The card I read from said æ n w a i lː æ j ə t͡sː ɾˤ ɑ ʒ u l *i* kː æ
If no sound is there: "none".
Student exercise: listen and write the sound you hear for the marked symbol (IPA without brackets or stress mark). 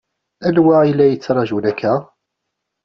æ